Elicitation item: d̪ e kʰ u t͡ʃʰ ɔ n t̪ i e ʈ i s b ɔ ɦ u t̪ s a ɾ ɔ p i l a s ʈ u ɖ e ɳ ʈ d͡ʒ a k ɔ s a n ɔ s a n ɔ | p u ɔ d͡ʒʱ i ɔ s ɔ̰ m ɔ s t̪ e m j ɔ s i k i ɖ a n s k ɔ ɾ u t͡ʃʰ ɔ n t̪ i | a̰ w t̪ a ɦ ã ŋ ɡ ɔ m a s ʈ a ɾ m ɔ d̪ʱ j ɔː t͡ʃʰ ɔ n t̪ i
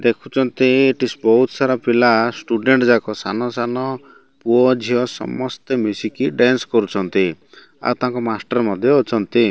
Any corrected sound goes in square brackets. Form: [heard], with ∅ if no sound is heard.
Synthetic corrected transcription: d̪ e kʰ u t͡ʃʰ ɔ n t̪ i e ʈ i s b ɔ ɦ u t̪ s a ɾ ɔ p i l a s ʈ u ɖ e ɳ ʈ d͡ʒ a k ɔ s a n ɔ s a n ɔ | p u ɔ d͡ʒʱ i ɔ s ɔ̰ m ɔ s t̪ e m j [u] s i k i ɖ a n s k ɔ ɾ u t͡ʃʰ ɔ n t̪ i | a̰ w t̪ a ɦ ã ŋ [k] ɔ m a s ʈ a ɾ m ɔ d̪ʱ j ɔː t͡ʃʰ ɔ n t̪ i